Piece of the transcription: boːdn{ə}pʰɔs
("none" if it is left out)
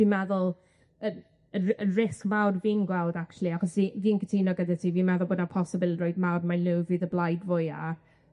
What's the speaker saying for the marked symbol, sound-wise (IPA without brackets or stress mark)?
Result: a